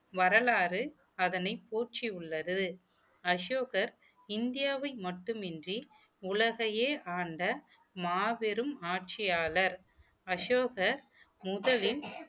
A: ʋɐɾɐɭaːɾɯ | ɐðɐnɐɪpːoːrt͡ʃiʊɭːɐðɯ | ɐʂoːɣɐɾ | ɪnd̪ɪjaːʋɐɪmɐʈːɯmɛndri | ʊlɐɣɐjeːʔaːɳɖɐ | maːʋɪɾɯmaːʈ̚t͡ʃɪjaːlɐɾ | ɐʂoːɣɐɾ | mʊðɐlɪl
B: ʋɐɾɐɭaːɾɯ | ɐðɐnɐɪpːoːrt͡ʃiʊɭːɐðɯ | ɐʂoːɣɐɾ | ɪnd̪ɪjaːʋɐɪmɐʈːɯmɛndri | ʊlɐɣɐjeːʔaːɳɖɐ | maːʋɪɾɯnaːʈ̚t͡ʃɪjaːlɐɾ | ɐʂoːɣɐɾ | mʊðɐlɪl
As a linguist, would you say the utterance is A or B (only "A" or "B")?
A